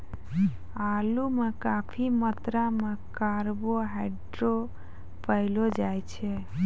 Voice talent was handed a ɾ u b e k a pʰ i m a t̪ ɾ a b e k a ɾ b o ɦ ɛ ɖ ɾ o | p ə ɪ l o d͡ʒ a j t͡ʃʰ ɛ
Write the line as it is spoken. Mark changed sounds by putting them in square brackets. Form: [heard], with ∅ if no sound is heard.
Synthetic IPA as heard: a [l] u [m] e k a pʰ i m [ə] t̪ ɾ a [m] e k a ɾ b o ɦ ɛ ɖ ɾ o | p ə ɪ l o d͡ʒ a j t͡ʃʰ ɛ